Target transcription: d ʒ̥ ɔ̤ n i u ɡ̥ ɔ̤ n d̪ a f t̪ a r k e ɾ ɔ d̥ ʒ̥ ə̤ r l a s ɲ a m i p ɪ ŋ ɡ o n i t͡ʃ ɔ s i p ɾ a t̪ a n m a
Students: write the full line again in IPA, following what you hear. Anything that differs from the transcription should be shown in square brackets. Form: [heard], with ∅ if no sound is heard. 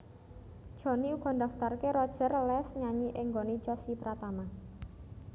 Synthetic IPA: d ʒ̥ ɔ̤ n i u ɡ̥ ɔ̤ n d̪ a f t̪ a r k e ɾ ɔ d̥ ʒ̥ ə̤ r l [ɛ] s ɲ a [ɲ] i [ʔ] ɪ ŋ ɡ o n i t͡ʃ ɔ s i p ɾ a t̪ a [∅] m a